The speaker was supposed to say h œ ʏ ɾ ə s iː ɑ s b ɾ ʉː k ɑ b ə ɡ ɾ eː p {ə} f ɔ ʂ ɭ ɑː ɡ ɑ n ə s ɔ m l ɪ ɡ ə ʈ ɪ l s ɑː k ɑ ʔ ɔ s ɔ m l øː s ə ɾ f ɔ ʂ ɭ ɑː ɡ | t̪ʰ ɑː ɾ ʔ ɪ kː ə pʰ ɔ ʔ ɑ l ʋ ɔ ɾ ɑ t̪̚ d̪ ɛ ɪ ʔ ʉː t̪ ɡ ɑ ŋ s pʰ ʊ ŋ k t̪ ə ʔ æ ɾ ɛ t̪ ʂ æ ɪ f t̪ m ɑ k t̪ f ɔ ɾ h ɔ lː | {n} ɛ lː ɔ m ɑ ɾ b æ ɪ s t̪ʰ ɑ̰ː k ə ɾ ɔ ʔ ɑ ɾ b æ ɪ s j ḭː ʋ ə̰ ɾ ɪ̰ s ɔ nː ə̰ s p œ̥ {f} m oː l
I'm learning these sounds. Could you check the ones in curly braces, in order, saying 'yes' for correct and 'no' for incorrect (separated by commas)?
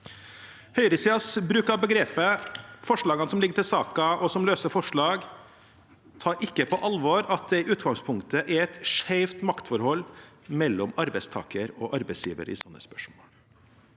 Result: yes, no, no